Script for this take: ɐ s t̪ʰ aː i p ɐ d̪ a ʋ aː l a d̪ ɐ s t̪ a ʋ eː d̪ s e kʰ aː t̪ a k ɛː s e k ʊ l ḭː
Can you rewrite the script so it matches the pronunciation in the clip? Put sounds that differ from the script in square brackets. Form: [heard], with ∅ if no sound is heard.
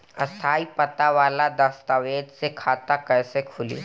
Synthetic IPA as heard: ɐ s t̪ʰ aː i p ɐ [t̪] a ʋ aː l a d̪ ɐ s t̪ a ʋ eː d̪ s e kʰ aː t̪ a k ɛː s e [kʰ] ʊ l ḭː